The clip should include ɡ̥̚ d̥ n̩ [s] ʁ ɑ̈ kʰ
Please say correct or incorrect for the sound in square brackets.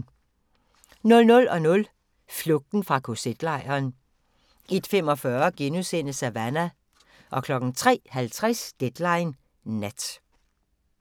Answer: incorrect